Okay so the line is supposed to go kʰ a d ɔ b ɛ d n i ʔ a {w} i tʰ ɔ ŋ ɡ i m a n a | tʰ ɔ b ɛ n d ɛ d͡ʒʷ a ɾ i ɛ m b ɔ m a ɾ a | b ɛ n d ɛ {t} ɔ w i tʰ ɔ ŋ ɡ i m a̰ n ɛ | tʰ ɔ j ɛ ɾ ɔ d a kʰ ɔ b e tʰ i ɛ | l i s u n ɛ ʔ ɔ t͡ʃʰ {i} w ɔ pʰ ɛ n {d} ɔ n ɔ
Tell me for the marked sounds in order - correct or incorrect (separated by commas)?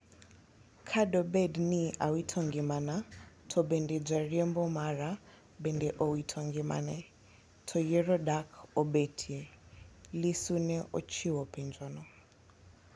correct, incorrect, correct, incorrect